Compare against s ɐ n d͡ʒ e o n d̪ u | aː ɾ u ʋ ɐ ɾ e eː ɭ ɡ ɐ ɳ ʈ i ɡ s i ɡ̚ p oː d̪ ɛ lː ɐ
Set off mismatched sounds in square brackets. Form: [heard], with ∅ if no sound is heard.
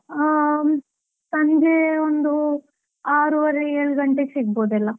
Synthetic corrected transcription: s ɐ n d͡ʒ e o n d̪ u | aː ɾ u ʋ ɐ ɾ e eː ɭ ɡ ɐ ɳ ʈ [e] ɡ s i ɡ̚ [b] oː d̪ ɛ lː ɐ